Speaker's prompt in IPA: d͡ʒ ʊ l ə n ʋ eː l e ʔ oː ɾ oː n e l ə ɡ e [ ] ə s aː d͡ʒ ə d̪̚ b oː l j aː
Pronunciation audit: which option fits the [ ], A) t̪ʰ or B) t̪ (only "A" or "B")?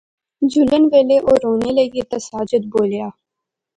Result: B